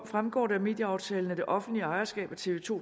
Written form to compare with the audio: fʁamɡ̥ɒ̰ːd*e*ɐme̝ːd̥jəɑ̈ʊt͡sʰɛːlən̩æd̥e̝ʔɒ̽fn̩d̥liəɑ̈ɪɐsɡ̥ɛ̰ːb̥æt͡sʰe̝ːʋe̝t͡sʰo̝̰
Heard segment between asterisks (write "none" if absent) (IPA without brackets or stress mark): æ